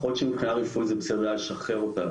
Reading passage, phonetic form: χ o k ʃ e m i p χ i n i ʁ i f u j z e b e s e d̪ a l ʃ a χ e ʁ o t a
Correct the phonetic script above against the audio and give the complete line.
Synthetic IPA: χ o t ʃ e m i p χ i n a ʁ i f u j z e b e s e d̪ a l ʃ a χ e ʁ o t a